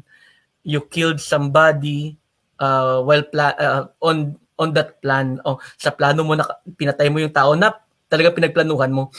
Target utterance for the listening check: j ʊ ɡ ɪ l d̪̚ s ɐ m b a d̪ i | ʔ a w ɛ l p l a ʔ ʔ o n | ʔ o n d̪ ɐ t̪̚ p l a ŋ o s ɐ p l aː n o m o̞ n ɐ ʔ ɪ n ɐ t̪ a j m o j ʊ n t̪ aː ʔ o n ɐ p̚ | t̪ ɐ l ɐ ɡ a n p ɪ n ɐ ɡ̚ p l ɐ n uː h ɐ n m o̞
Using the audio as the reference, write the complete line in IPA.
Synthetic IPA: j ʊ k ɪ l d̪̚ s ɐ m b a d̪ i | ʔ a w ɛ l p l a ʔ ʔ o n | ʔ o n d̪ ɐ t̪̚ p l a n o s ɐ p l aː n o m o̞ n ɐ p ɪ n ɐ t̪ a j m o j ʊ ŋ t̪ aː ʔ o n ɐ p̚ | t̪ ɐ l ɐ ɡ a ŋ p ɪ n ɐ ɡ̚ p l ɐ n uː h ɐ n m o̞